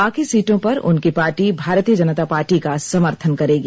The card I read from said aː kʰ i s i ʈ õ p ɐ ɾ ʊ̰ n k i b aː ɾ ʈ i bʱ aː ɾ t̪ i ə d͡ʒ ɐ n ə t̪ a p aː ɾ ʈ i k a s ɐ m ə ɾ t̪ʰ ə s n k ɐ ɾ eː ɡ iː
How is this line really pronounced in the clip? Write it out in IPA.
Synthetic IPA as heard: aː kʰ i s iː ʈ õ p ɐ ɾ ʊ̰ n k i p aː ɾ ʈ i bʱ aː ɾ t̪ i ə d͡ʒ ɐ n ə t̪ a p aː ɾ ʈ i k a s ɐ m ə ɾ t̪ʰ ə n k ɐ ɾ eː ɡ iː